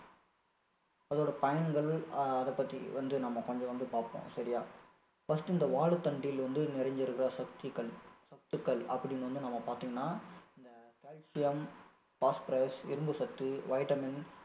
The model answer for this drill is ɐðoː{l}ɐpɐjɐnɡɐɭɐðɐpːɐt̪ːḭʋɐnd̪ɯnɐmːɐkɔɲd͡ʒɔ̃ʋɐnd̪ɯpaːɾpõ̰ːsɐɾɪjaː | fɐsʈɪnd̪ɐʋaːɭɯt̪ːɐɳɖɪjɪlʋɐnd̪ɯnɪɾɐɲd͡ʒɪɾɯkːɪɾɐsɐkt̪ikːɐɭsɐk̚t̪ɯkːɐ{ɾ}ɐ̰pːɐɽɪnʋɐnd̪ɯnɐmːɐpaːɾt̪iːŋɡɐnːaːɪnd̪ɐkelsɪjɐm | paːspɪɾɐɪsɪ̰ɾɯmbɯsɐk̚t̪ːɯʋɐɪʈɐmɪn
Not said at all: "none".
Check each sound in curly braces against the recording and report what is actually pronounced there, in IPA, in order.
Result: ɽ, ɭ

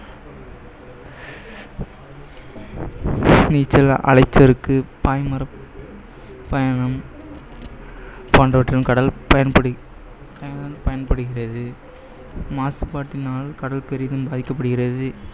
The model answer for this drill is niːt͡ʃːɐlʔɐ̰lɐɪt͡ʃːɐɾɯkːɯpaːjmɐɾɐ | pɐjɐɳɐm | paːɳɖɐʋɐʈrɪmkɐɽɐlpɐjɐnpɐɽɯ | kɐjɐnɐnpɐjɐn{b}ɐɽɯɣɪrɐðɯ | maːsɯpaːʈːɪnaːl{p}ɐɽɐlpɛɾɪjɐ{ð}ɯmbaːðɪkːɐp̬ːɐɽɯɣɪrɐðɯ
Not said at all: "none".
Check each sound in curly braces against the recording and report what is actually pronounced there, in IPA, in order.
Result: p, k, ð

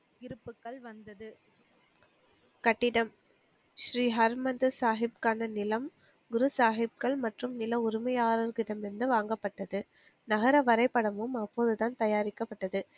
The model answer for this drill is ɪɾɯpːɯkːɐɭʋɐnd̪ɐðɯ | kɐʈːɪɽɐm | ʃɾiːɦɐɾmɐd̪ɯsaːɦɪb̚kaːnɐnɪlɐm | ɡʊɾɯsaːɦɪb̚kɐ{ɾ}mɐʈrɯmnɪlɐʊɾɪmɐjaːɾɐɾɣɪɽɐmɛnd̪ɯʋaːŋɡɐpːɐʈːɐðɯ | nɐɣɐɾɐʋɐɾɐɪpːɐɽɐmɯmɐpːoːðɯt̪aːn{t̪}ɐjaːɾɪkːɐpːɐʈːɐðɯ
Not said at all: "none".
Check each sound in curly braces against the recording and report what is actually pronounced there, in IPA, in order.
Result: ɭ, t̪

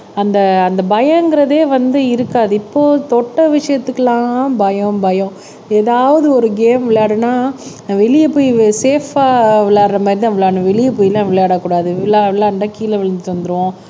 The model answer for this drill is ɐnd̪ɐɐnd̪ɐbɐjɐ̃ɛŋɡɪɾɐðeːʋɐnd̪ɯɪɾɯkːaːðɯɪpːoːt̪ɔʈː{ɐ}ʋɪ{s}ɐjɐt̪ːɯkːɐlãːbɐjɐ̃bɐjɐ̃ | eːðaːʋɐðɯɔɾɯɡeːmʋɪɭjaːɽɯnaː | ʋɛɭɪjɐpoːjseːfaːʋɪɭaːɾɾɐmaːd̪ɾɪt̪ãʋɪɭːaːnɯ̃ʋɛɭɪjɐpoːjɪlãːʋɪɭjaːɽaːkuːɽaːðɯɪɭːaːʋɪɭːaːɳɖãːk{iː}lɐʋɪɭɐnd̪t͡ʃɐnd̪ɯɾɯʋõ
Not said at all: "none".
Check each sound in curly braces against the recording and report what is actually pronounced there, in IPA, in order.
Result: ɐ, ʂ, iː

